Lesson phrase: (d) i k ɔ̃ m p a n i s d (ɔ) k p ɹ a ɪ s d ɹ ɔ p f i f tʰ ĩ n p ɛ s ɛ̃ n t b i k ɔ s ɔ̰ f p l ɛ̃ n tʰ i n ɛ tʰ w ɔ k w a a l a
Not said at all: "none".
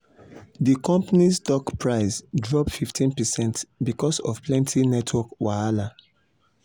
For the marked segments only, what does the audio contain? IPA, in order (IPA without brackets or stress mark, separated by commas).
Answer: d, ɔ